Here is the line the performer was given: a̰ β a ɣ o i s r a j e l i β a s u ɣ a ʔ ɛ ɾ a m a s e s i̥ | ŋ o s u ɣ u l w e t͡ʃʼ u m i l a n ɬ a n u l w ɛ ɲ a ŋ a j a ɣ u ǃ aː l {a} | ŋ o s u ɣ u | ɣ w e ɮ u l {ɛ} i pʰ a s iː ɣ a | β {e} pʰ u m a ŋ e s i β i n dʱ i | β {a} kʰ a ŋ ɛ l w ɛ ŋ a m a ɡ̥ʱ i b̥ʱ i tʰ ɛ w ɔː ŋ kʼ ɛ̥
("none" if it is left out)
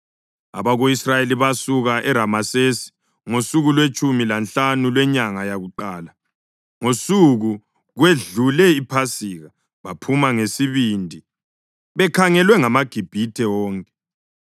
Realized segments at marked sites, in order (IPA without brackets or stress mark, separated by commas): a, ɛ, a, ɛ